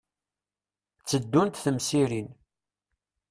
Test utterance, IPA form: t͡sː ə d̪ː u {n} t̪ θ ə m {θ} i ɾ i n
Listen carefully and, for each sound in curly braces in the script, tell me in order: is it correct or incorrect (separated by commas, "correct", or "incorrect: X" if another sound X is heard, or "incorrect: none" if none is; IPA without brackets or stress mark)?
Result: correct, incorrect: s